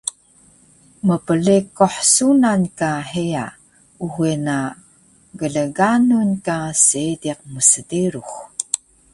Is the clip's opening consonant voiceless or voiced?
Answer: voiced